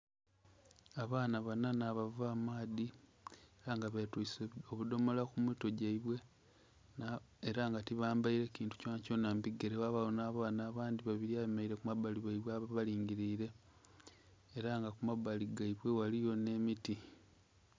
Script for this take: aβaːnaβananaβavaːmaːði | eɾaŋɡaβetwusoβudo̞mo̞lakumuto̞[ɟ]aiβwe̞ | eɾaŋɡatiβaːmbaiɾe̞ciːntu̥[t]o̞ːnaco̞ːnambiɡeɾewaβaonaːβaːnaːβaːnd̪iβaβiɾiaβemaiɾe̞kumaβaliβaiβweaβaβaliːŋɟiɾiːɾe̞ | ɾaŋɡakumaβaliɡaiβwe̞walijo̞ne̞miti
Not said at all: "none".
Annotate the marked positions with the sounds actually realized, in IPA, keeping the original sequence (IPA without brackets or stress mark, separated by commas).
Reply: ɟ, c